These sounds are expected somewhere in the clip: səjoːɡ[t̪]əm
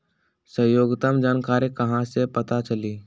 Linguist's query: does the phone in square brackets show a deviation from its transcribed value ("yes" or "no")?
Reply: no